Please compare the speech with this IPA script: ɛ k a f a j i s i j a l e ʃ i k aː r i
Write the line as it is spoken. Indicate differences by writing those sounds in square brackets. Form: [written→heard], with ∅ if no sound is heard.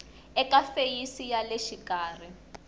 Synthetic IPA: ɛ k a f [a→e] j i s i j a l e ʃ i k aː r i